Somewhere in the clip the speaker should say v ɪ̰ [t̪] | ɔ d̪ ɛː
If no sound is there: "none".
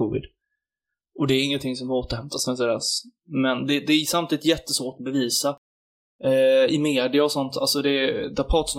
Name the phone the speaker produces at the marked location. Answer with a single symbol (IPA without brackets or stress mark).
d̪